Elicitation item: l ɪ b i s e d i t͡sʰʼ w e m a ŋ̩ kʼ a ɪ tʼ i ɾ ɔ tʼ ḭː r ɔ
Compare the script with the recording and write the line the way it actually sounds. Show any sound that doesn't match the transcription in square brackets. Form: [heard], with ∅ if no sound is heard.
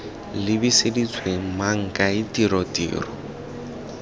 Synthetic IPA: l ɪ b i s e d i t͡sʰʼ w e m a ŋ̩ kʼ a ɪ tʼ i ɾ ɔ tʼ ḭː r ɔ

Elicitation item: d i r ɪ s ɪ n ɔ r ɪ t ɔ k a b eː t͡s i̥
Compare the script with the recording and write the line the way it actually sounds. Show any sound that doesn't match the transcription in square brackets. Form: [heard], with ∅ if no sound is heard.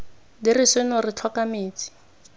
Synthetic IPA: d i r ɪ s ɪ n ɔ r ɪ [t͡ɬʰ] ɔ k a [m] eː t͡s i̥

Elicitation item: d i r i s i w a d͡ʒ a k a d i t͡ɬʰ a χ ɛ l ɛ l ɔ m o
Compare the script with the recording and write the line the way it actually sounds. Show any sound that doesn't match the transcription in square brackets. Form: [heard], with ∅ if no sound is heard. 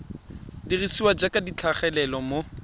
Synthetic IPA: d i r i s i w a d͡ʒ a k a d i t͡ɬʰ a χ ɛ l ɛ l ɔ m o

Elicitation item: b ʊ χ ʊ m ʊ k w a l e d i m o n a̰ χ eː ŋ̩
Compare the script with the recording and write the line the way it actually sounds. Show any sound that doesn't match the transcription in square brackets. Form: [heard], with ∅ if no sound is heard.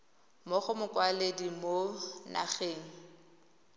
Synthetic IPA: [m] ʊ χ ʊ m ʊ k w a l e d i m o n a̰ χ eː ŋ̩

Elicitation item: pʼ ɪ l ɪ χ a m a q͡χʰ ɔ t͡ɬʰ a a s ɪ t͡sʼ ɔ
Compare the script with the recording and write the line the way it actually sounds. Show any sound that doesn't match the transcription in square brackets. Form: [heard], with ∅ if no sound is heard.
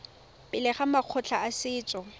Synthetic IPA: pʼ ɪ l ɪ χ a m a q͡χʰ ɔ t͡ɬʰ a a s [ɪː] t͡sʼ ɔ

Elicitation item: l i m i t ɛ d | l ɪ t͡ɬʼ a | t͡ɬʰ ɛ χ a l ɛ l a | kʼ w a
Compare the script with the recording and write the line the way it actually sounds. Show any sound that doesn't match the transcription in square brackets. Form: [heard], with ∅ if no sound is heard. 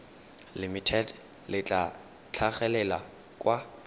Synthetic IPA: l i m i [tʰ] ɛ d | l ɪ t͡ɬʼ a | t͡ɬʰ [a] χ [ɛ] l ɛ l a | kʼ w a

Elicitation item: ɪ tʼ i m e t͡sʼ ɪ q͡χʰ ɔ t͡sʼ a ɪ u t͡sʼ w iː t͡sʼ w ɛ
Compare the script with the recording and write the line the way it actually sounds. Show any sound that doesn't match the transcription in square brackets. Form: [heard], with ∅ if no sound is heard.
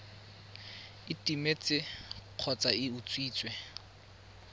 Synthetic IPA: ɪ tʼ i m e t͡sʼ ɪ q͡χʰ ɔ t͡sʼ a ɪ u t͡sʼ w iː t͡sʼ w ɛ

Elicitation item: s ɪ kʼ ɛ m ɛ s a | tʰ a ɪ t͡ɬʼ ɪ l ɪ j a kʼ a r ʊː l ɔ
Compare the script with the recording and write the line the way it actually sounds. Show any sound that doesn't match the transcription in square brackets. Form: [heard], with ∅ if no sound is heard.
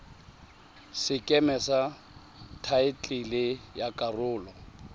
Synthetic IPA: s ɪ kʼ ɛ m ɛ s a | tʰ a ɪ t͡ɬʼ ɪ l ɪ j a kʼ a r ʊː l ɔ

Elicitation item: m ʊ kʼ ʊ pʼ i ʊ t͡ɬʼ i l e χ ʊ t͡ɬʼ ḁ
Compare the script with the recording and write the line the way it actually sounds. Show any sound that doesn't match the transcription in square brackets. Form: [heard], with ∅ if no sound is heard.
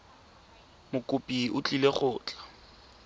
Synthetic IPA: m ʊ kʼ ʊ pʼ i ʊ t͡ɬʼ i l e χ [ʊː] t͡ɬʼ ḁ

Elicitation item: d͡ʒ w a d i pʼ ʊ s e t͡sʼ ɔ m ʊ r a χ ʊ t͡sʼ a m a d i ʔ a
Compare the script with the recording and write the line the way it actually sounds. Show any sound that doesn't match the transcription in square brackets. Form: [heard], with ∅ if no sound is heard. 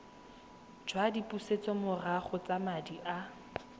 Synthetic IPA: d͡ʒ w a d i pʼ [u] s e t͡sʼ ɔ m ʊ r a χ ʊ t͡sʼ a m a d i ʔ a

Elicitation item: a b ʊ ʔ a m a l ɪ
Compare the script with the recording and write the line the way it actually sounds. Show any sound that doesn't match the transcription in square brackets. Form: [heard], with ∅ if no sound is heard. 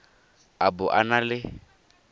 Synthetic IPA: a b ʊ ʔ a [n] a l ɪ

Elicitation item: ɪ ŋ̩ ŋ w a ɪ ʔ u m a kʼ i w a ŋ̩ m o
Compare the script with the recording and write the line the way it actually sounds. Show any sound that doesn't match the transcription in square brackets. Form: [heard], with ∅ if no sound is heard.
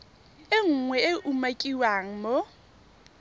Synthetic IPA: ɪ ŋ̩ ŋ w [ɛ] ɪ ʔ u m a kʼ i w a ŋ̩ m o

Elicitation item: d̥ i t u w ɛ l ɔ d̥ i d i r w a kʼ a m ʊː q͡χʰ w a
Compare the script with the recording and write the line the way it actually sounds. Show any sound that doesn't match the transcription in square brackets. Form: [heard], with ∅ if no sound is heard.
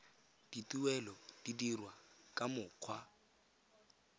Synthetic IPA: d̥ i t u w ɛ l ɔ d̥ i d i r w a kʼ a m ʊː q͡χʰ w a

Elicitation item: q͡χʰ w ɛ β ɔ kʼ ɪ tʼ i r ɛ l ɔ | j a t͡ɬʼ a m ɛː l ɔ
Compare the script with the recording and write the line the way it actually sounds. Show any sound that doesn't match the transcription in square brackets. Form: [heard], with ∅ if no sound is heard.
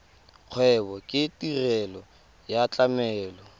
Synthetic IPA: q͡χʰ w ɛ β ɔ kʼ ɪ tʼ i r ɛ l ɔ | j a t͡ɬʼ a m ɛː l ɔ

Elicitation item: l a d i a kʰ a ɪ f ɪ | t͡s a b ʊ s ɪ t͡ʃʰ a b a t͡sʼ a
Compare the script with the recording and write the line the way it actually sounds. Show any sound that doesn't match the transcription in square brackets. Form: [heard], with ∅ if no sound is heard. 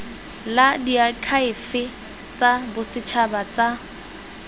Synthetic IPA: l a d i a kʰ a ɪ f ɪ | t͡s a b ʊ s ɪ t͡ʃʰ a b a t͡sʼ a

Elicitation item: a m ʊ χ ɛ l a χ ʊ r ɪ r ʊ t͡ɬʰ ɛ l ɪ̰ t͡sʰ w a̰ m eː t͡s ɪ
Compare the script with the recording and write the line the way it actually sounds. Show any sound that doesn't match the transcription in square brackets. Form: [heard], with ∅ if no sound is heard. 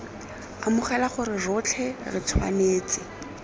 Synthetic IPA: a m ʊ χ ɛ l a χ ʊ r ɪ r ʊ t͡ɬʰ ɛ [r] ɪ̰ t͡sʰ w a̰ [n] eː t͡s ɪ

